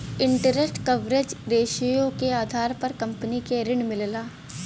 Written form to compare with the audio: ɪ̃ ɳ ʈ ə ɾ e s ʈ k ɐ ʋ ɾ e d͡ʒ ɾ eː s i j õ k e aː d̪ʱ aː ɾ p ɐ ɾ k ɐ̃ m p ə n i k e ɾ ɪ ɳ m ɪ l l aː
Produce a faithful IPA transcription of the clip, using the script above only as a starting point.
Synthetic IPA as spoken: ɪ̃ ɳ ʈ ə ɾ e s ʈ k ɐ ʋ ɾ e d͡ʒ ɾ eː ʃ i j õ k e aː d̪ʱ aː ɾ p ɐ ɾ k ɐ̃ m p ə n i k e ɾ ɪ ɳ m ɪ l l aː